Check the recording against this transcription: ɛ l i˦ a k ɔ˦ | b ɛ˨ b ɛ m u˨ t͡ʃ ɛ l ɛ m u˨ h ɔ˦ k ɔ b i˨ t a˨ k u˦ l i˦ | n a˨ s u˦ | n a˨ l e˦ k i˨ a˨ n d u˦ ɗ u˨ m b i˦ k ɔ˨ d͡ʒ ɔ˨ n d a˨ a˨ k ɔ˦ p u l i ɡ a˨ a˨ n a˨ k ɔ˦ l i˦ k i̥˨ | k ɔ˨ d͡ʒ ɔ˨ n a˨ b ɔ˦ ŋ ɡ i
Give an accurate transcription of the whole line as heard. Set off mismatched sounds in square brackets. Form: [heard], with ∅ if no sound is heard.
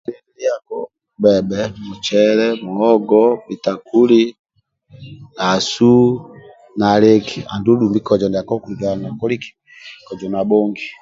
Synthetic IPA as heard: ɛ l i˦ a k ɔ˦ | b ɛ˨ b ɛ m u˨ t͡ʃ ɛ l ɛ m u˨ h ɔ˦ [ɡ] ɔ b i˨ t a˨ k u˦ l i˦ | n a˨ s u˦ | n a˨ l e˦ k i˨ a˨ n d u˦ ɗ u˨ m b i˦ k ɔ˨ d͡ʒ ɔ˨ n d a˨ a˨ k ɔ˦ [k] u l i ɡ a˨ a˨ n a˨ k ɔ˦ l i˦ k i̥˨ | k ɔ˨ d͡ʒ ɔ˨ n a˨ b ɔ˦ ŋ ɡ i